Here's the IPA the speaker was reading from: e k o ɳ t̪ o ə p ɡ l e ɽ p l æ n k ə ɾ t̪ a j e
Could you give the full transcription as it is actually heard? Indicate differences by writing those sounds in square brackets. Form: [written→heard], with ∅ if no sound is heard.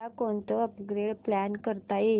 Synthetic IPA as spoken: [e→a] k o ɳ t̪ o ə p ɡ [l→ɾ] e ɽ p l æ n k ə ɾ t̪ a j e